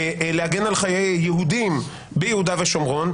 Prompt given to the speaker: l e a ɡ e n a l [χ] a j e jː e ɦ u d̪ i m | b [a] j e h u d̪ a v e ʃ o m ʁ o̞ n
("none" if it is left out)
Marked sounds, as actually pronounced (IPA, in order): χ, e

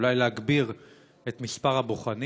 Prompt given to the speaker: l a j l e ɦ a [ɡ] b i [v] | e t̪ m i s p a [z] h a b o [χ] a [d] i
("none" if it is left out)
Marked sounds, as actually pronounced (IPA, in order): ɡ, ʁ, ʁ, χ, n

